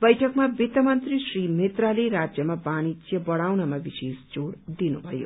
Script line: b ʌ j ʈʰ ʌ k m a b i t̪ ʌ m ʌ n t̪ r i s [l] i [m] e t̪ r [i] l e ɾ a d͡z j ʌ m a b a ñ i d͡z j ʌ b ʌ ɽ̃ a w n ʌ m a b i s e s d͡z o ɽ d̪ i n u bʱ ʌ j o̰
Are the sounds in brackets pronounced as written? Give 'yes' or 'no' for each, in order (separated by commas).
no, yes, no